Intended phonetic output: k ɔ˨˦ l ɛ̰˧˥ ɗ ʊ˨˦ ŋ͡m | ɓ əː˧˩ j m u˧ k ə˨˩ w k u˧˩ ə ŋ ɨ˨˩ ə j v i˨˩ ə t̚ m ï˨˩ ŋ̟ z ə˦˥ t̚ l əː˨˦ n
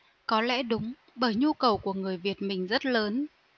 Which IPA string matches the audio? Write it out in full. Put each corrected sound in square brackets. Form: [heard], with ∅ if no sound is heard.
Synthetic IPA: k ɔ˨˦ l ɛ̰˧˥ ɗ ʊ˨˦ ŋ͡m | ɓ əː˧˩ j [ɲ] u˧ k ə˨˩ w k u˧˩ ə ŋ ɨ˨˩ ə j v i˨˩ ə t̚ m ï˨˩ ŋ̟ z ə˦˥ t̚ l əː˨˦ n